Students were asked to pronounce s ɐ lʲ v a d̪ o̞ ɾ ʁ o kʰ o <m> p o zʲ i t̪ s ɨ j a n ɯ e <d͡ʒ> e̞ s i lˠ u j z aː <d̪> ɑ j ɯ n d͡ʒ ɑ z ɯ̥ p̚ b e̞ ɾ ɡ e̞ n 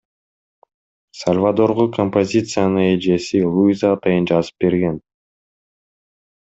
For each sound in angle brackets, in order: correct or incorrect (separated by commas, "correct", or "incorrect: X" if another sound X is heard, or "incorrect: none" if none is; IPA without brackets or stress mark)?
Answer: correct, correct, incorrect: t̪